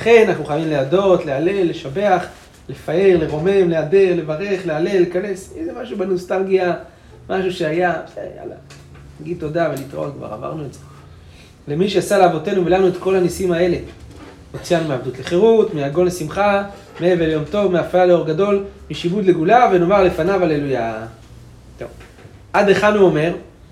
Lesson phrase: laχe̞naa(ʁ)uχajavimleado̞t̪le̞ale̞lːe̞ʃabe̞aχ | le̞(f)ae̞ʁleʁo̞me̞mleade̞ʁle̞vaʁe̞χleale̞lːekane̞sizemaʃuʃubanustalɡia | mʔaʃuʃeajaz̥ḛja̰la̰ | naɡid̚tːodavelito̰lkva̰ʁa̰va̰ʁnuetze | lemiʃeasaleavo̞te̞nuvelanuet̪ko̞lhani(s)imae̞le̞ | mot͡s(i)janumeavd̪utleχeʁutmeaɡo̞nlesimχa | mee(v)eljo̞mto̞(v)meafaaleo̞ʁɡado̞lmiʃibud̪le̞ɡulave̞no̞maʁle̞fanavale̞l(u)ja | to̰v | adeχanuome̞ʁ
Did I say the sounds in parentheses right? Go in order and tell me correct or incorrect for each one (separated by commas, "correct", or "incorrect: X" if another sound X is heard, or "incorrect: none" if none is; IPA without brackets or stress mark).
incorrect: χ, correct, correct, correct, correct, correct, correct